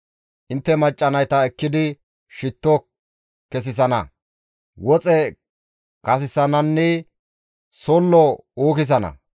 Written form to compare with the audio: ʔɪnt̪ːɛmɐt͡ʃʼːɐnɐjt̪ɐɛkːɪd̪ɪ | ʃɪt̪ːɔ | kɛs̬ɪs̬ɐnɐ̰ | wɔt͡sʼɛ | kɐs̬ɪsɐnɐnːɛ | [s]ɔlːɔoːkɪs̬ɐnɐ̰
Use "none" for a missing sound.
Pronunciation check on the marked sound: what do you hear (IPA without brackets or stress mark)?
s